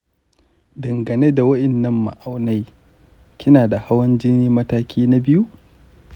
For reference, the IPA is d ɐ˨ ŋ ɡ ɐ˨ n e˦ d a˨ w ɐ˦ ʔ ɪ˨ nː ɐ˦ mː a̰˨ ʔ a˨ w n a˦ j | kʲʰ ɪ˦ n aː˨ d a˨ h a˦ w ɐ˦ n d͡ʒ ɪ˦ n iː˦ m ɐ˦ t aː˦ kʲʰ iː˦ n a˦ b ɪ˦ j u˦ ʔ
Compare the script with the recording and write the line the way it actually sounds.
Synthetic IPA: d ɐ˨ ŋ ɡ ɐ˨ n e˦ d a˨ w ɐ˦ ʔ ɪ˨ nː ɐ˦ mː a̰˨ ʔ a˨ w n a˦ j | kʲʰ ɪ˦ n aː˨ d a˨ h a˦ w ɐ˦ n d͡ʒ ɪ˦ n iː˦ m ɐ˦ t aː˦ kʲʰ iː˦ n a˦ b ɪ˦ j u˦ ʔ